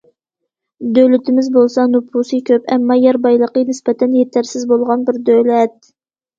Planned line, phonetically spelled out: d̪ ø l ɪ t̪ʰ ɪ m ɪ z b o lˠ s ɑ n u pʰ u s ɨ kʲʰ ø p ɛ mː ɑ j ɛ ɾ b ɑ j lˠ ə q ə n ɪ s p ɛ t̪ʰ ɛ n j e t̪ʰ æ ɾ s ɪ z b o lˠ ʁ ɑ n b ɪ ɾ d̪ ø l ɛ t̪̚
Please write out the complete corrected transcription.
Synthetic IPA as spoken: d̪ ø l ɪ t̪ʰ ɪ m ɪ z b o lˠ s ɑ n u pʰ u s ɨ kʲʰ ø p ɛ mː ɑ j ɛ ɾ b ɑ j lˠ ə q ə n ɪ s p ɛ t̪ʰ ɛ n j e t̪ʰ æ ɾ s ɪ z b o lˠ ʁ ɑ n b ɪ ɾ d̪ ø l ɛ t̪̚